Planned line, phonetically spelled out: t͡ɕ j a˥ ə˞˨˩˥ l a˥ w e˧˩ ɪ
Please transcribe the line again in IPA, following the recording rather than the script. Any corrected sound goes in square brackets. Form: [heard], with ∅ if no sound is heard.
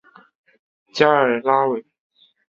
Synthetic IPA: t͡ɕ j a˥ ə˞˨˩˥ l a˥ w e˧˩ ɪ